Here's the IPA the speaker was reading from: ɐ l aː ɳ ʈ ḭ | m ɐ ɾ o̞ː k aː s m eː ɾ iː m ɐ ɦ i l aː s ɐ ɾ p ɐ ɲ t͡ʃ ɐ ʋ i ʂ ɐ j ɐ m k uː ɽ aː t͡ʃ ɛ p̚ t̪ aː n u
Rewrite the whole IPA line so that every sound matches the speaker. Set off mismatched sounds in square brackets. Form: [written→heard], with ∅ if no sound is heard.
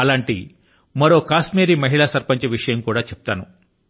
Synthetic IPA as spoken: ɐ l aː ɳ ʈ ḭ | m ɐ ɾ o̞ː k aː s m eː ɾ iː m ɐ ɦ i [l→ɭ] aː s ɐ ɾ p ɐ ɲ t͡ʃ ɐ ʋ i ʂ ɐ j ɐ m k uː ɽ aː t͡ʃ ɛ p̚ t̪ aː n u